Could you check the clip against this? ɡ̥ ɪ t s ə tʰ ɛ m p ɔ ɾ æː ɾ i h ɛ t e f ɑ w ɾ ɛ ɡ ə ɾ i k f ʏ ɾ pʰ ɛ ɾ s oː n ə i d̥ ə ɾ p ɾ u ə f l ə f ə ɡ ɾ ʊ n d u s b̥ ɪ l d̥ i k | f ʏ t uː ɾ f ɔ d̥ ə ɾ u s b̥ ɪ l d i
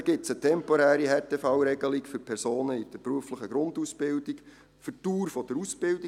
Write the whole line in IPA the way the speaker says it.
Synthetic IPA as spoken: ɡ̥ ɪ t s ə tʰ ɛ m p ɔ ɾ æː ɾ i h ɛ t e f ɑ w ɾ ɛ ɡ ə l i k f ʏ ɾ pʰ ɛ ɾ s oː n ə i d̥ ə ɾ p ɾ u ə f l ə χ ə ɡ ɾ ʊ n d u s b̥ ɪ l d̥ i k | f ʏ t uː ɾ f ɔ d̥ ə ɾ u s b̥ ɪ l d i